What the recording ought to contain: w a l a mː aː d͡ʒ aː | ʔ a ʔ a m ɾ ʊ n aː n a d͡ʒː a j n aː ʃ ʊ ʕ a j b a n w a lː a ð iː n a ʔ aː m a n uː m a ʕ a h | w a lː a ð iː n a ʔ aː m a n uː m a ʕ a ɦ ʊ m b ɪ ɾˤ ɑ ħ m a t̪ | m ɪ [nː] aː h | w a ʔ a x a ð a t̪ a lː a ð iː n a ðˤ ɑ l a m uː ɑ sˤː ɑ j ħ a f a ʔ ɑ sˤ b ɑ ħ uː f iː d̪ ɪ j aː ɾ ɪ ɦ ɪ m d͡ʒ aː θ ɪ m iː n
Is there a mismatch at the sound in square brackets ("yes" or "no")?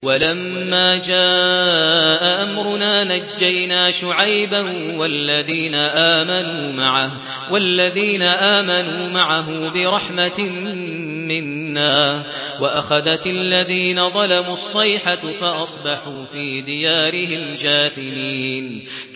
no